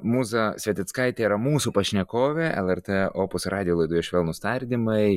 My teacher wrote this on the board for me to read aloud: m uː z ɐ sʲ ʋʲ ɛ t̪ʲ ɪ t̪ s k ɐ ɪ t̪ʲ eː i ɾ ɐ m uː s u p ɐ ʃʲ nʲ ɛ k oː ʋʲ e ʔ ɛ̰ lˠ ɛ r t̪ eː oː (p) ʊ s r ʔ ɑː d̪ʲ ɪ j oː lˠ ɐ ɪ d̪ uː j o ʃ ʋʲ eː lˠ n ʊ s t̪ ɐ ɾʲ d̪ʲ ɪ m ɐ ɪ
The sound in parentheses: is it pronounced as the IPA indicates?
yes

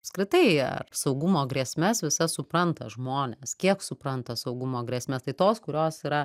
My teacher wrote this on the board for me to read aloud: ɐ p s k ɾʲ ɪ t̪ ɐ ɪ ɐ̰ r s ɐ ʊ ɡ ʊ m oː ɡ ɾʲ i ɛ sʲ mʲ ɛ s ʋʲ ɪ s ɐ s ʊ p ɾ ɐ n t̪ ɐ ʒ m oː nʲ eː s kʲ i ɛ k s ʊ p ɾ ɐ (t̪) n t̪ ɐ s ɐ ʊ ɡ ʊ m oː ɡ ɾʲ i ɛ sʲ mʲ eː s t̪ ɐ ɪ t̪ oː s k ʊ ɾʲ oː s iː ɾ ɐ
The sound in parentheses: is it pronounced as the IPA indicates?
no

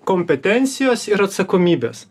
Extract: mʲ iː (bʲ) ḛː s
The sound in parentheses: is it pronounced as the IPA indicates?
yes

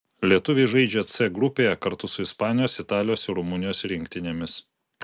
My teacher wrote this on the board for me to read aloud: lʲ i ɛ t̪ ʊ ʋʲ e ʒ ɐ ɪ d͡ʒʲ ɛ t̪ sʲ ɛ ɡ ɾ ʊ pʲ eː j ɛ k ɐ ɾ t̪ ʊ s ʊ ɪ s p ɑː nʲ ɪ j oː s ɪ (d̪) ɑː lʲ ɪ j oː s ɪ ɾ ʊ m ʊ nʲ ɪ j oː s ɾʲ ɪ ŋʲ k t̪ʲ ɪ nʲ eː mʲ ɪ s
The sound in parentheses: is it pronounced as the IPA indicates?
no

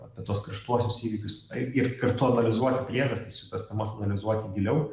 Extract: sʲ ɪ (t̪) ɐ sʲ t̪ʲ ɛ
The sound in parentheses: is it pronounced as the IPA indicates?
yes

